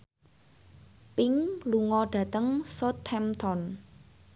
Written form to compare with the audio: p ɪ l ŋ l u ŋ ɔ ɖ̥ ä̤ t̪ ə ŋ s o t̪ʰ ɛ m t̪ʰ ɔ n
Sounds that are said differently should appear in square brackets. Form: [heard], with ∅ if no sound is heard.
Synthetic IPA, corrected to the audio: p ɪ [∅] ŋ l u ŋ ɔ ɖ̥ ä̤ t̪ ə ŋ s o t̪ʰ ɛ m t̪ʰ ɔ n

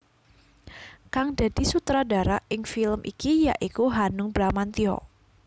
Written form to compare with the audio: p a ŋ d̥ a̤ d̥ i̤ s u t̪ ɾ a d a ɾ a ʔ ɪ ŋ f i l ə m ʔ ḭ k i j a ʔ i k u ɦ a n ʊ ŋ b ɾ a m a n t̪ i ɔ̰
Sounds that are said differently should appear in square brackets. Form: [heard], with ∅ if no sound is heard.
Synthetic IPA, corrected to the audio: [k] a ŋ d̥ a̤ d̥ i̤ s u t̪ ɾ a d a ɾ a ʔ ɪ ŋ f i l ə m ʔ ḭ k i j a ʔ i k u ɦ a n ʊ ŋ b ɾ a m a n t̪ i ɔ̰

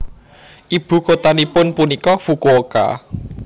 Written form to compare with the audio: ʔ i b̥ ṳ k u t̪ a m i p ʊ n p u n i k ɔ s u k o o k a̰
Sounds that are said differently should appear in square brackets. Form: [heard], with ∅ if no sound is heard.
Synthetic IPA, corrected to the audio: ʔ i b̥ ṳ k [o] t̪ a [n] i p ʊ n p u n i k ɔ [f] u k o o k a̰

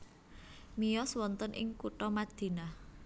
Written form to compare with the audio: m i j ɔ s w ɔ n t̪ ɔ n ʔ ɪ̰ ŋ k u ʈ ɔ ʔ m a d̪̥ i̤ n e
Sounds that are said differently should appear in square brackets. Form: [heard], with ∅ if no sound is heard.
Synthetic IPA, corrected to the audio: m i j ɔ s w ɔ n t̪ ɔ n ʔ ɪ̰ ŋ k u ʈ ɔ [∅] m a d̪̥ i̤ n [a]

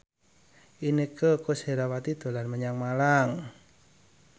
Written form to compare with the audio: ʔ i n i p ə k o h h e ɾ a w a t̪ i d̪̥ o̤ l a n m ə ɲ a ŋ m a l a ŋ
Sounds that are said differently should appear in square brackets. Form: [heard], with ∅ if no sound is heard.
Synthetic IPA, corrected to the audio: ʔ i n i [k] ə k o [s] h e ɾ a w a t̪ i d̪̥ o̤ l a n m ə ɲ a ŋ m a l a ŋ

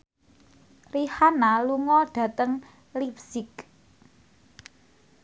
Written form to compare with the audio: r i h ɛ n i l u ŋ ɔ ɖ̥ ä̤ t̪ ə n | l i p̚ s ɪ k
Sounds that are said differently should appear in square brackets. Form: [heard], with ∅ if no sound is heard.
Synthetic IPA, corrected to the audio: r i h [a] n [a] l u ŋ ɔ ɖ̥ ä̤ t̪ ə [ŋ] | l i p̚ s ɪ k

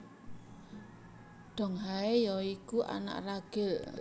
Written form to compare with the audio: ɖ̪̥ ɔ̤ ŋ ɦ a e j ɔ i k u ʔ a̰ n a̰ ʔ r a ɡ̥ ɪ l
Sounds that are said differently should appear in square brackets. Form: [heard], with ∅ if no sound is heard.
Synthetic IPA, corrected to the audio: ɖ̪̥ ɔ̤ ŋ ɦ a e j ɔ i k u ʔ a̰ n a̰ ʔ r a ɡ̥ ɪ l

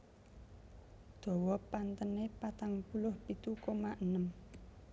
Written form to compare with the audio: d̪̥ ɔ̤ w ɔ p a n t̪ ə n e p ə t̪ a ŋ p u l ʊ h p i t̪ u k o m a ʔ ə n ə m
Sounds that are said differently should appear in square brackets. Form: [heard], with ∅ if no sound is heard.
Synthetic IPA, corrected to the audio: d̪̥ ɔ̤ w ɔ p a n t̪ ə n e p [a] t̪ a ŋ p u l ʊ h p i t̪ u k o m a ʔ ə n ə m

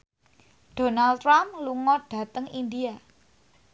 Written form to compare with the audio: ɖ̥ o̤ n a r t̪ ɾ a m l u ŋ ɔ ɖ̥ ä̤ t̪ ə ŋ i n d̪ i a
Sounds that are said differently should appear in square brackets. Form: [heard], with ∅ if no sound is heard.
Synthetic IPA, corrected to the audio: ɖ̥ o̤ n a [l] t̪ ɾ a m l u ŋ ɔ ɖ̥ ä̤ t̪ ə ŋ i n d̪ i a

